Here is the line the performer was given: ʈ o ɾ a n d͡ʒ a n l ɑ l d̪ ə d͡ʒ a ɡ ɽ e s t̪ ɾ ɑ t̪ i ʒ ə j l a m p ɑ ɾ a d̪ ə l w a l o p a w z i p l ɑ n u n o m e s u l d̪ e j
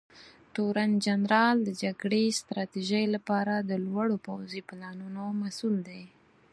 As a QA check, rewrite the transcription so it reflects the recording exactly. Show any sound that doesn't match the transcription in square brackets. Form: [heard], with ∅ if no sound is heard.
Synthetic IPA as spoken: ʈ o ɾ a n d͡ʒ a n [ɾ] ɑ l d̪ ə d͡ʒ a ɡ ɽ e s t̪ ɾ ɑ t̪ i ʒ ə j l a [∅] p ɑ ɾ a d̪ ə l w a [ɽ] o p a w z i p l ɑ n u n o m [a] s u l d̪ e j